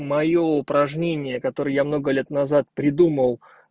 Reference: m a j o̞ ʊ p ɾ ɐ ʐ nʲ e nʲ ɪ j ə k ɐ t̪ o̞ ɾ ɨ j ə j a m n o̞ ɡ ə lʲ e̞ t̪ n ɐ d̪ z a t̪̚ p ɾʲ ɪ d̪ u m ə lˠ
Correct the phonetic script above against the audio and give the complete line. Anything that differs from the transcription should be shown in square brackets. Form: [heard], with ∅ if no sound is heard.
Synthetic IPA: m [ɐ] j o̞ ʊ p ɾ ɐ ʐ nʲ e nʲ ɪ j ə k ɐ t̪ o̞ ɾ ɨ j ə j a m n o̞ ɡ ə lʲ e̞ t̪ n ɐ [∅] z a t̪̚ p ɾʲ ɪ d̪ u m ə lˠ